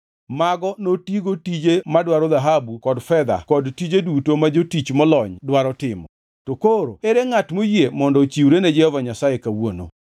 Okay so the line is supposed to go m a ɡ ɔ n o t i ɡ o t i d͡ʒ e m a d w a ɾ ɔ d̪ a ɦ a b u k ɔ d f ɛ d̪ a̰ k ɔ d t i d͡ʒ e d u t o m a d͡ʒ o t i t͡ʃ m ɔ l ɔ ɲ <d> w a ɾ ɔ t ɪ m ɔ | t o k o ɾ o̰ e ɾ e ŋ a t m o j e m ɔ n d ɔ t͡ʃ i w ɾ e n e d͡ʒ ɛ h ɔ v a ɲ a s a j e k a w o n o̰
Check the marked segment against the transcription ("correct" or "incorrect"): correct